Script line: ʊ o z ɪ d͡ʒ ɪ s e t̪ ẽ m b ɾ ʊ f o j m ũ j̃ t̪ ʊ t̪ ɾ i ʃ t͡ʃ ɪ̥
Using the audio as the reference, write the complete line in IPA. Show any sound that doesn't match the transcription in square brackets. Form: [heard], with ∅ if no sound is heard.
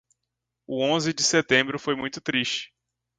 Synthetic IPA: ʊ [õ] z ɪ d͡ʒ ɪ s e t̪ ẽ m b ɾ ʊ f o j m ũ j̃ t̪ ʊ t̪ ɾ i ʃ t͡ʃ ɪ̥